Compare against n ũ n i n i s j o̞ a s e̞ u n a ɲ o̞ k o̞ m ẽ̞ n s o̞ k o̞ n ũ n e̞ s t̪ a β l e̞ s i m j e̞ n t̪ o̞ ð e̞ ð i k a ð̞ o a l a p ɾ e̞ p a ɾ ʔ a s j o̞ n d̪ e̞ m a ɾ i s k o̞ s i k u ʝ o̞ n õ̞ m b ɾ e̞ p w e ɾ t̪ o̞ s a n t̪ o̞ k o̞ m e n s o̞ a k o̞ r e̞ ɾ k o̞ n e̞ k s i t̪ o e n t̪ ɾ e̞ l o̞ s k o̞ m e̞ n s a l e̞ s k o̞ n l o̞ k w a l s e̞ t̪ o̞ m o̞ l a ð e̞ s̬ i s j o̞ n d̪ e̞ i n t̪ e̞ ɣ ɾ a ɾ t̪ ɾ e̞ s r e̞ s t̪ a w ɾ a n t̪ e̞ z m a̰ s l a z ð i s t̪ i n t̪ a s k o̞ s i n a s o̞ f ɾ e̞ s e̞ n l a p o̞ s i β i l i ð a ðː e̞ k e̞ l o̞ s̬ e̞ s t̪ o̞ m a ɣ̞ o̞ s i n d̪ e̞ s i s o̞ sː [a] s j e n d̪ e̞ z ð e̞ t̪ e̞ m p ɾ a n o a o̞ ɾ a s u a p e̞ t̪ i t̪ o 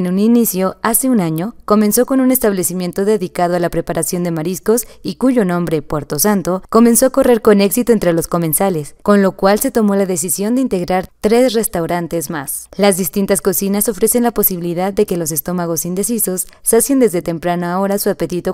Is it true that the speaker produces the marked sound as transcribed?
yes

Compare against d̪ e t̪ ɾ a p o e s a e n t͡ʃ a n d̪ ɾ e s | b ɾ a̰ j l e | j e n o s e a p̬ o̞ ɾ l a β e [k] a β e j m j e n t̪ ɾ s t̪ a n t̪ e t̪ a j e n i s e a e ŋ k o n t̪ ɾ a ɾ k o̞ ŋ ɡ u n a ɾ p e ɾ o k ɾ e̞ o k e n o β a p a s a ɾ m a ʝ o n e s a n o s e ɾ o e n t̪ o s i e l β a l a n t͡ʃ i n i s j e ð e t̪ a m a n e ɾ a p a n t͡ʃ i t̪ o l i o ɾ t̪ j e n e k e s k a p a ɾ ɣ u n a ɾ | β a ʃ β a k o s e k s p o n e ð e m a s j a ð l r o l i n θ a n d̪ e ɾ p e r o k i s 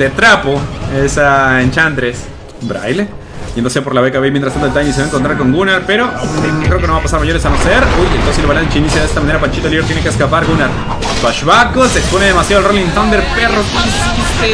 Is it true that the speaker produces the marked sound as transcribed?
yes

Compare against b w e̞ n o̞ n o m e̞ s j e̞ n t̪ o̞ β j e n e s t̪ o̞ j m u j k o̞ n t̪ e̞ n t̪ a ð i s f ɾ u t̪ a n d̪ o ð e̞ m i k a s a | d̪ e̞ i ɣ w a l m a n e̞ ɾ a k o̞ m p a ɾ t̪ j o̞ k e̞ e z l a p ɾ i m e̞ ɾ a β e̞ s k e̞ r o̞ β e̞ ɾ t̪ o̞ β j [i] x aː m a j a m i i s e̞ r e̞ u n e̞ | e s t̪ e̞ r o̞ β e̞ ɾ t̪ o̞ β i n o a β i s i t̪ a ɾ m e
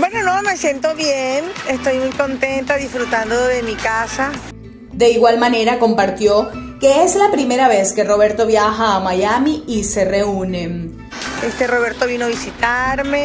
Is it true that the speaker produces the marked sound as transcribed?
no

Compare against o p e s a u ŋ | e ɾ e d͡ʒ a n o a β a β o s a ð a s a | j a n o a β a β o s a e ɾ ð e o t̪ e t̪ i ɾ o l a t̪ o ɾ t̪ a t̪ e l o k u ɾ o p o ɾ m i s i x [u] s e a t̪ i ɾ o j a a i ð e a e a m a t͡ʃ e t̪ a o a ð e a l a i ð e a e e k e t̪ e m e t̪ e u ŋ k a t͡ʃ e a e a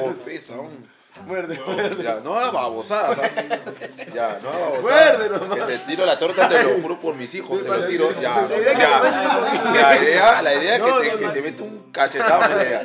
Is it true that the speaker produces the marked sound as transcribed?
no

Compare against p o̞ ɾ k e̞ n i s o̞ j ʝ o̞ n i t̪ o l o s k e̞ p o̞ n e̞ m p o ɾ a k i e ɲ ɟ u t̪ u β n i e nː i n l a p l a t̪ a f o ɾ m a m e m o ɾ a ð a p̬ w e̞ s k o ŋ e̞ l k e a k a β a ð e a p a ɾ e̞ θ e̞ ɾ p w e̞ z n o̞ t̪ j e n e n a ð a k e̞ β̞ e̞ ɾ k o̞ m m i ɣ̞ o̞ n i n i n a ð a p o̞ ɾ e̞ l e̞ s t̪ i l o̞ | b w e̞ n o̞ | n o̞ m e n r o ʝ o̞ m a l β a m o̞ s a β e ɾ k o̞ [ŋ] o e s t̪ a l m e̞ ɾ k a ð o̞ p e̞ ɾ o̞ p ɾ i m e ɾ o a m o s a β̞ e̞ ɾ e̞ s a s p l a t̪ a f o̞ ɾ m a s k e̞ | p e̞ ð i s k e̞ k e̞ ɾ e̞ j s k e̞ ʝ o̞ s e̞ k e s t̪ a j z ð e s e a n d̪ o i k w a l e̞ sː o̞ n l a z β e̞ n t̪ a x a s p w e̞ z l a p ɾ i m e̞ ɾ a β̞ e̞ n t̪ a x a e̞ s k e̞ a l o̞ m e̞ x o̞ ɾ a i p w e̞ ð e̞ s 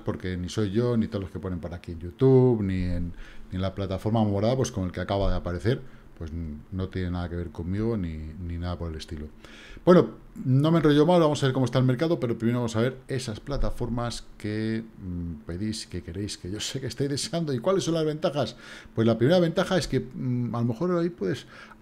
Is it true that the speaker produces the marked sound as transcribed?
no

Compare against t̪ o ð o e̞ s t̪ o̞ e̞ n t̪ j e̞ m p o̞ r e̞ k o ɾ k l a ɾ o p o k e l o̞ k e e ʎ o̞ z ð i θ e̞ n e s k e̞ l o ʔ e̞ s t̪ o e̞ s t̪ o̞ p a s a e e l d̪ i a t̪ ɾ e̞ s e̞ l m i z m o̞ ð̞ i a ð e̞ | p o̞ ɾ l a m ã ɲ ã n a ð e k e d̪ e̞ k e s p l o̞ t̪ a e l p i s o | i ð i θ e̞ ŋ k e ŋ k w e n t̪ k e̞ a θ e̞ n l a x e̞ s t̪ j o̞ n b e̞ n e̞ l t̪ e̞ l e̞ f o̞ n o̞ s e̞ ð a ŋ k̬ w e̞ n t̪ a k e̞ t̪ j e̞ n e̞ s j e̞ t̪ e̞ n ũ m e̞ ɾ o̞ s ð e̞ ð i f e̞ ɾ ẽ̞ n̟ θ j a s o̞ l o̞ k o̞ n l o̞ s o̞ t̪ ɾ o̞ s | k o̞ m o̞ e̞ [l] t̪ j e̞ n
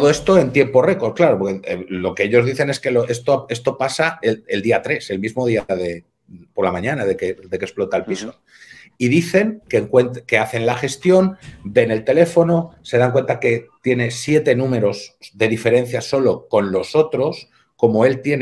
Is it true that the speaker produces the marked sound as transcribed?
yes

